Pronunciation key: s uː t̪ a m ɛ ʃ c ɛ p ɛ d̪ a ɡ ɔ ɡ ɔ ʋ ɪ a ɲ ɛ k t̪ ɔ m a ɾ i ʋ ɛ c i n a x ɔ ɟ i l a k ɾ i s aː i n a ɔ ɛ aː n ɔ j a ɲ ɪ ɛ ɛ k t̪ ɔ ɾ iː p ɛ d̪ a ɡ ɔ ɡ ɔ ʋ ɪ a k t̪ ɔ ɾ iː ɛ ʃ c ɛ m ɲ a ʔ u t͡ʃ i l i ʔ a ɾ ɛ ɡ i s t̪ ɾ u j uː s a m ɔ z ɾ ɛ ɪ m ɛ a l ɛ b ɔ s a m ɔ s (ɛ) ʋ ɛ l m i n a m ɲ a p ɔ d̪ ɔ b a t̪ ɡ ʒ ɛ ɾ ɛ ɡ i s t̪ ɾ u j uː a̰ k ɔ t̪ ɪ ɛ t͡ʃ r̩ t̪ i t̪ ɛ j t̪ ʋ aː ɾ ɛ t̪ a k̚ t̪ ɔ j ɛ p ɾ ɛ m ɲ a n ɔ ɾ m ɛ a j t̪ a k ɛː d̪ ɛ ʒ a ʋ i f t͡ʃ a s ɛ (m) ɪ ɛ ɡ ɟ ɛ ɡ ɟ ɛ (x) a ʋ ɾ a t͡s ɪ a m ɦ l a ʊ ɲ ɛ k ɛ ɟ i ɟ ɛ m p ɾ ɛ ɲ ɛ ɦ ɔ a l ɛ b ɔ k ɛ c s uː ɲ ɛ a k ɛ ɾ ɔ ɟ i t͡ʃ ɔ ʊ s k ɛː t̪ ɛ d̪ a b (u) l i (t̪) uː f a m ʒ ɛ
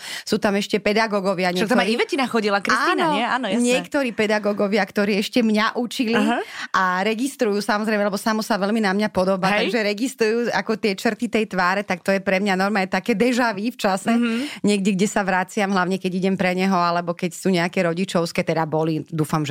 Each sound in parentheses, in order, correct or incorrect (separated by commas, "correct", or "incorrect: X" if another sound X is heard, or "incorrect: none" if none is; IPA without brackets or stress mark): incorrect: a, incorrect: ɲ, incorrect: s, incorrect: ɔ, incorrect: d̪